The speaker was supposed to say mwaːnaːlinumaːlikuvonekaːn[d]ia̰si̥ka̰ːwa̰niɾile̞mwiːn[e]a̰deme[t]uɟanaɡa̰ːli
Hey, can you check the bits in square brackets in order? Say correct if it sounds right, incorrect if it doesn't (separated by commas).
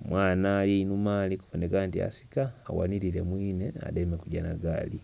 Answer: incorrect, correct, incorrect